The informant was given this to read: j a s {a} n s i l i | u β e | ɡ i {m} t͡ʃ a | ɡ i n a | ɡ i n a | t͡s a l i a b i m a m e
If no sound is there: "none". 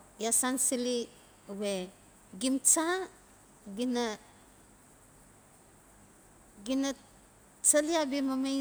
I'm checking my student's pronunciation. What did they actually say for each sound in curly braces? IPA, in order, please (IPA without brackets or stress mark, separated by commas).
a, m